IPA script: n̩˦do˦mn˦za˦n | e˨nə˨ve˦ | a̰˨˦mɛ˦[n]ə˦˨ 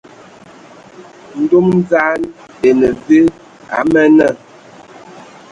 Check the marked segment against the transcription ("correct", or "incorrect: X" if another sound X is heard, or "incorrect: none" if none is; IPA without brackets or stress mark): correct